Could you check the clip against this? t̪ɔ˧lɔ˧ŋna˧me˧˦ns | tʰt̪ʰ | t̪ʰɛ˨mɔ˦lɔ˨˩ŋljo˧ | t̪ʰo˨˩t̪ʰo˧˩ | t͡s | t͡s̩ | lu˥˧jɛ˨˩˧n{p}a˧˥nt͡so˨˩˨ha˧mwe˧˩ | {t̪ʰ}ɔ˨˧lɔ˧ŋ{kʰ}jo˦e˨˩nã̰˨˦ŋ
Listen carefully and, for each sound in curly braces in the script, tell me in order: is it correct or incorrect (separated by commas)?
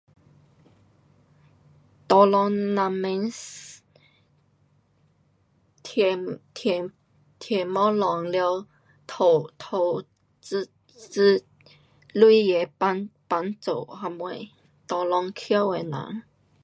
correct, incorrect, correct